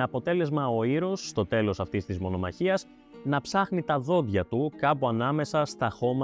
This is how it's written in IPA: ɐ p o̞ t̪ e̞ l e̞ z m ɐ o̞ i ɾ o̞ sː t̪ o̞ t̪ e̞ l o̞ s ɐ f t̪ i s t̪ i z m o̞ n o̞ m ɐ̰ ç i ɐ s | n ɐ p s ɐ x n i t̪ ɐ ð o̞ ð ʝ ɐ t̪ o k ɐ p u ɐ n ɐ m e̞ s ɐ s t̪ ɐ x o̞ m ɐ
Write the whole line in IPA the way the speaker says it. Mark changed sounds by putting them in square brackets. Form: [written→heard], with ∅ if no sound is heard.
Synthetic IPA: ɐ p o̞ t̪ e̞ l e̞ z m ɐ o̞ i ɾ o̞ sː t̪ o̞ t̪ e̞ l o̞ s ɐ f t̪ i s t̪ i z m o̞ n o̞ m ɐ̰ ç i ɐ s | n ɐ p s ɐ x n i t̪ ɐ ð o̞ ð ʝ ɐ t̪ [o→u] k ɐ p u ɐ n ɐ m e̞ s ɐ s t̪ ɐ x o̞ m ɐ